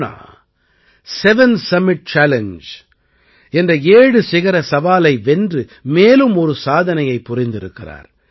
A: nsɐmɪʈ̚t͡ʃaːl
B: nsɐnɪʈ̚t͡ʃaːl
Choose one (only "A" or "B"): A